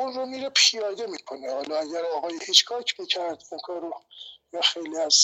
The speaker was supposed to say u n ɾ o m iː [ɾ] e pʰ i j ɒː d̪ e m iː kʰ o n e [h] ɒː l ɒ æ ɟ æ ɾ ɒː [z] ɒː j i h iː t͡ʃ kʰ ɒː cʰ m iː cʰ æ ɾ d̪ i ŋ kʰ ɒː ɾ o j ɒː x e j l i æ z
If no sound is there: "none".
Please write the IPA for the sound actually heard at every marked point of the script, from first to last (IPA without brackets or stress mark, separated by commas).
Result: ɾ, h, ɣ